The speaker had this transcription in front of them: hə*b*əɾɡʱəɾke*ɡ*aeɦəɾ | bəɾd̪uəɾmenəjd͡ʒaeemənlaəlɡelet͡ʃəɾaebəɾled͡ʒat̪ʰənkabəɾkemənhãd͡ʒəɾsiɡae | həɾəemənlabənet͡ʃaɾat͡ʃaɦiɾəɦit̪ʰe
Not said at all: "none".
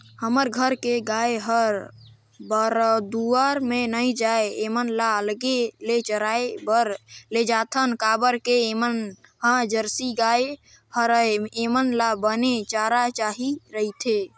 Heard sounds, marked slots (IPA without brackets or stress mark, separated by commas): m, ɡ